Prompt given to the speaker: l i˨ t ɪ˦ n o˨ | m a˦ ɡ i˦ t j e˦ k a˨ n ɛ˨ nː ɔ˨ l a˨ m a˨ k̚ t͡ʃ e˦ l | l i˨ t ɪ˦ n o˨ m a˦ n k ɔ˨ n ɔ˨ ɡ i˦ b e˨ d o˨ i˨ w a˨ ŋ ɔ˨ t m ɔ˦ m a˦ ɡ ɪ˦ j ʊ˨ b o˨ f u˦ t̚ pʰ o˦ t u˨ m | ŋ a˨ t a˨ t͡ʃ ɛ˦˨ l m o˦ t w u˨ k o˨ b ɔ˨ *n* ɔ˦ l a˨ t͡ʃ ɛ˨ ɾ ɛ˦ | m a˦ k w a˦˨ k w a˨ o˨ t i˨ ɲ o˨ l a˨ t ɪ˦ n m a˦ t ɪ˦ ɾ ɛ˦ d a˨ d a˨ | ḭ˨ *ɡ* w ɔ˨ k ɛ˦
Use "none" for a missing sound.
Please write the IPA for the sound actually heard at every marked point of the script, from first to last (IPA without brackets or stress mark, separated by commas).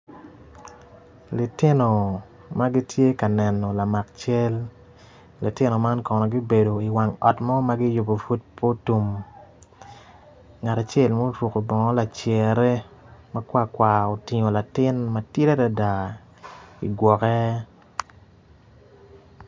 ŋ, ɡ